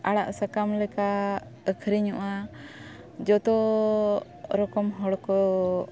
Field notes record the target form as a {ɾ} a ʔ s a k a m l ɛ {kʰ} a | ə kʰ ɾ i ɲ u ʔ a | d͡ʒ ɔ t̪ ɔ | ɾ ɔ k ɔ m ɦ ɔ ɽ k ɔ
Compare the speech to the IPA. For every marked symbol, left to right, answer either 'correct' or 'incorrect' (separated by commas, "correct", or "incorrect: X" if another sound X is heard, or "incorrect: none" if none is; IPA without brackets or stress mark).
incorrect: ɽ, incorrect: k